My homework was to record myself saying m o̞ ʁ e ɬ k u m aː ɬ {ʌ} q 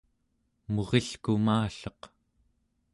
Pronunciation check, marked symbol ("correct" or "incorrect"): correct